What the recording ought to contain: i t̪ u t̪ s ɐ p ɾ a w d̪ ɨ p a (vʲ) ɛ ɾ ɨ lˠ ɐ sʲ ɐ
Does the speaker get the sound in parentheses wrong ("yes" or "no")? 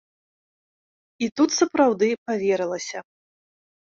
no